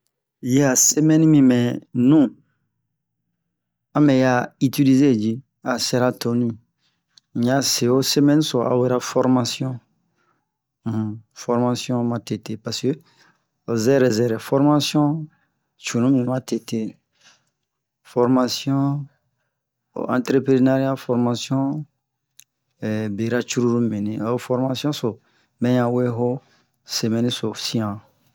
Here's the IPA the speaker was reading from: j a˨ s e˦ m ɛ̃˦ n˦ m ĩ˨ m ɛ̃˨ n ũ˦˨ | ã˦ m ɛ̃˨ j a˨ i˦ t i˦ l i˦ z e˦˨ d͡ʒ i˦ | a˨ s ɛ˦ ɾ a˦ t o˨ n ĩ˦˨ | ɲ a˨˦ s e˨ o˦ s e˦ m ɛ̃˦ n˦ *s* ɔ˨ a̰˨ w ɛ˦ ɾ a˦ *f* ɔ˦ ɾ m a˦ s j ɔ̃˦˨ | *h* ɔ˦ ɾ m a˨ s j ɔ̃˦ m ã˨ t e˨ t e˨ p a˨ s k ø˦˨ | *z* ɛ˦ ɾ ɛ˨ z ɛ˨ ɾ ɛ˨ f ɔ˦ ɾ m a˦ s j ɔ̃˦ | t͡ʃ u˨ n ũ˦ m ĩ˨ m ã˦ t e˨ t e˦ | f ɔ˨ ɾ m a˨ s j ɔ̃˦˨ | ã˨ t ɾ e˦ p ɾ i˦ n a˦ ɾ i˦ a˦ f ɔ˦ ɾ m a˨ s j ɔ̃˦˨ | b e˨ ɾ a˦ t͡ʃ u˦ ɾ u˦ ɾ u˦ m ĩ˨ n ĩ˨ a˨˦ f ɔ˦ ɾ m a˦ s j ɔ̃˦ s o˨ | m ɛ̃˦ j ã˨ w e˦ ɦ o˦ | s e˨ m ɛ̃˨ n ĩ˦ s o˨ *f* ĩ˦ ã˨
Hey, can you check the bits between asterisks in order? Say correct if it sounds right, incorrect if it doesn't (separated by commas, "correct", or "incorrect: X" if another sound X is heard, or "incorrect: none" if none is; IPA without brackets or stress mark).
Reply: correct, correct, incorrect: f, correct, incorrect: s